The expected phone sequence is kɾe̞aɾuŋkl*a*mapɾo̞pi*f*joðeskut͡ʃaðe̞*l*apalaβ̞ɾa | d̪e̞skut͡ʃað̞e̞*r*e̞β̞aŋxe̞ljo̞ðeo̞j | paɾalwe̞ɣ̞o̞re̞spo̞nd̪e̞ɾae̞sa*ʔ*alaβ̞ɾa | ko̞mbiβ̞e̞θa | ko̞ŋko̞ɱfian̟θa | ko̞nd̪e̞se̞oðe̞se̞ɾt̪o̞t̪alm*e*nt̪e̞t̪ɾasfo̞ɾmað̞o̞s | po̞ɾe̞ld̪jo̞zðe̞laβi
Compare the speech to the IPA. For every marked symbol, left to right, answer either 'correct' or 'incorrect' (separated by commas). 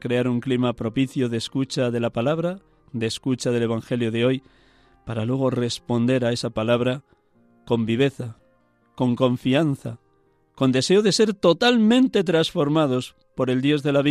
incorrect, incorrect, correct, incorrect, incorrect, incorrect